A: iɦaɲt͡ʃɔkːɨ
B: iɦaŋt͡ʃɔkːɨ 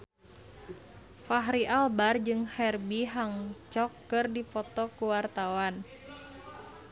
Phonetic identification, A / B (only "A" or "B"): B